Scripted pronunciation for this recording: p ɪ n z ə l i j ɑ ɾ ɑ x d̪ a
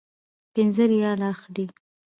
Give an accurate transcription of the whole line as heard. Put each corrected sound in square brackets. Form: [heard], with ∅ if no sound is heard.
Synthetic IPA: p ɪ n z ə [ɾ] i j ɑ [l] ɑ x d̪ [i]

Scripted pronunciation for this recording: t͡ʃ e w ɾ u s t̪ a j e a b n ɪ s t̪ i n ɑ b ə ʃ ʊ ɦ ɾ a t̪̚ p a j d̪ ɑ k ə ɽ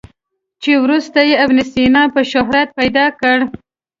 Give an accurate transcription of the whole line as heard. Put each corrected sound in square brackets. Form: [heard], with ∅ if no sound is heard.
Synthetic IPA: t͡ʃ e w ɾ u s t̪ a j e a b n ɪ s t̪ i n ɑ [p] ə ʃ ʊ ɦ ɾ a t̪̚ p a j d̪ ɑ k ə ɽ

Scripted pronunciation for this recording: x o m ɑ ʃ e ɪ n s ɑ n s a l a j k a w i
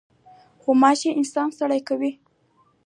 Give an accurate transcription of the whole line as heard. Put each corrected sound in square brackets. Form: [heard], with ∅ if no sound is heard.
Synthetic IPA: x o m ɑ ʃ e ɪ n s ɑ n s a [ɽ] a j k a w i

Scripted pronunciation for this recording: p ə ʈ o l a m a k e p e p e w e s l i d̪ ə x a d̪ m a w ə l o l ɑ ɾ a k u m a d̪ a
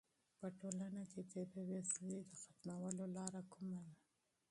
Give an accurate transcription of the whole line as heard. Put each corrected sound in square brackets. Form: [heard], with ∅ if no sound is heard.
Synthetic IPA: p ə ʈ o l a [n] a k e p e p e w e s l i d̪ ə x a [t̪] m a w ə l o l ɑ ɾ a k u m a d̪ a

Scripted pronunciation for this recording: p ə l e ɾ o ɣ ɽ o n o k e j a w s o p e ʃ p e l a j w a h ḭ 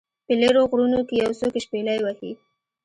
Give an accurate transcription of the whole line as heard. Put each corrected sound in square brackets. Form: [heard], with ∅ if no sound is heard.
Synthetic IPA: p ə l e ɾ o ɣ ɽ [u] n o k e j a w s o [k] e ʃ p e l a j w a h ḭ

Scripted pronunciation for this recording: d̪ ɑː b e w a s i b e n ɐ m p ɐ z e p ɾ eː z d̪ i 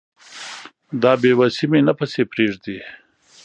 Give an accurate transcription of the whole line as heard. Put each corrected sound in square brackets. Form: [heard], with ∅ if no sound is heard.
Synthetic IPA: d̪ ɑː b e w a s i [m] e n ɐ [∅] p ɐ [s] e p ɾ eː [ʐ] d̪ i

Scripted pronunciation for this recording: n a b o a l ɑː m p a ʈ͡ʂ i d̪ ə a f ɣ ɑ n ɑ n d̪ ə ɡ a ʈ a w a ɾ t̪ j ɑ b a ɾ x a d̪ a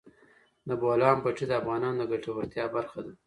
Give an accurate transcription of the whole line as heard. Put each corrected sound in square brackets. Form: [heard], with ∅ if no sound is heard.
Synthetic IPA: n a b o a l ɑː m p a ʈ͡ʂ i d̪ ə a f ɣ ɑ n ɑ n d̪ ə ɡ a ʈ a w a ɾ t̪ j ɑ b a ɾ x a d̪ a

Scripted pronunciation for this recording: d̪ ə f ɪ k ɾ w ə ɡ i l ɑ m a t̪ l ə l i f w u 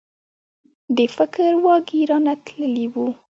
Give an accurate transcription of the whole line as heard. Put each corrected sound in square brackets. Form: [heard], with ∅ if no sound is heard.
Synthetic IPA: d̪ ə f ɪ k ɾ w [ɑ] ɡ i [ɾ] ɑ [n] a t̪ l ə l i [∅] w u

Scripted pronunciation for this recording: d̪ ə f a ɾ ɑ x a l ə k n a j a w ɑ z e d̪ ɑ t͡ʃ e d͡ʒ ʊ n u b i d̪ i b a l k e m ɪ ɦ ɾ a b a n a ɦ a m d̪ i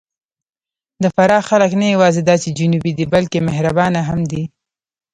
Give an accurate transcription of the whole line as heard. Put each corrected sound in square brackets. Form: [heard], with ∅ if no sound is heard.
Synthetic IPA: d̪ ə f a ɾ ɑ x a l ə k n a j a w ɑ z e d̪ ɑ t͡ʃ e d͡ʒ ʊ n u b i d̪ i b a l k e m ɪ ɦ ɾ a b [ɑ] n a ɦ a m d̪ i

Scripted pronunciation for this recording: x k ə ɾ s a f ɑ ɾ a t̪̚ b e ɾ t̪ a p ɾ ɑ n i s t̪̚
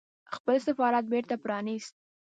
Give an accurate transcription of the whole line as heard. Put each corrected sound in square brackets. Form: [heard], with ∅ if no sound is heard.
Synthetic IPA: x [p] ə [l] s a f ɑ ɾ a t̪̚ b e ɾ t̪ a p ɾ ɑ n i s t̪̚

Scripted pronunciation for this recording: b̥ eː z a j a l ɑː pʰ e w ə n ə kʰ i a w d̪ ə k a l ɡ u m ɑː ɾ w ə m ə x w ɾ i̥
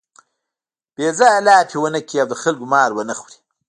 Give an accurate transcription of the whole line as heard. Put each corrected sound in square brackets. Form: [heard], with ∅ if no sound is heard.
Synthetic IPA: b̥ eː z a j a l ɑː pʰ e w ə n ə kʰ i a w d̪ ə [x] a l ɡ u m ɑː ɾ w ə [n] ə x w ɾ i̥

